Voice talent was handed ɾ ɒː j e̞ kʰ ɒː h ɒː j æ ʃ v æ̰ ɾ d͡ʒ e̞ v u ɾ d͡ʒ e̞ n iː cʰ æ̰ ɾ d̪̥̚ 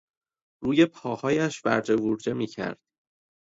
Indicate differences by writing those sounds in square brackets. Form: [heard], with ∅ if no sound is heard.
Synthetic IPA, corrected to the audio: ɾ [uː] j e̞ [pʰ] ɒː h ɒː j æ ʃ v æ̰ ɾ d͡ʒ e̞ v u ɾ d͡ʒ e̞ [m] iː cʰ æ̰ ɾ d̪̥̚